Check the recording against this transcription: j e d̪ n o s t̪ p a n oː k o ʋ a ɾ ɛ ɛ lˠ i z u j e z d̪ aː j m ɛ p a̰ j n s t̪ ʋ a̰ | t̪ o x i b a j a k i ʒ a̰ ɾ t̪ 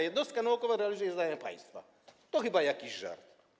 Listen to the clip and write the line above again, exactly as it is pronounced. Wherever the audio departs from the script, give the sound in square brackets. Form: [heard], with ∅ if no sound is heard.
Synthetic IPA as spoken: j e d̪ n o s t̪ [k] a n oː k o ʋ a ɾ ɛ [a] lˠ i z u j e z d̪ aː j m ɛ p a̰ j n s t̪ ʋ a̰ | t̪ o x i b a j a k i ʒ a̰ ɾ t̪